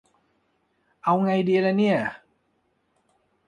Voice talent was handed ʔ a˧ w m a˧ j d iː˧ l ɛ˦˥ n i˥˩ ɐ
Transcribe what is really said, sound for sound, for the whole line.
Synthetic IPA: ʔ a˧ w ŋ a˧ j d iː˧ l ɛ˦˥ n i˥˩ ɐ